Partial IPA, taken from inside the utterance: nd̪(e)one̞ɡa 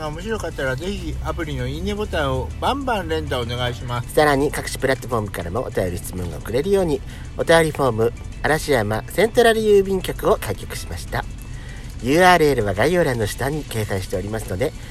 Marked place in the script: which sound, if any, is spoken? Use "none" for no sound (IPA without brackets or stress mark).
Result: a